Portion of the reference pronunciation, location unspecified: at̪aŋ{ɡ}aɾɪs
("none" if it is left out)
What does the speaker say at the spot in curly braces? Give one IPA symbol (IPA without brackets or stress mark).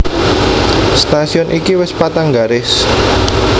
ɡ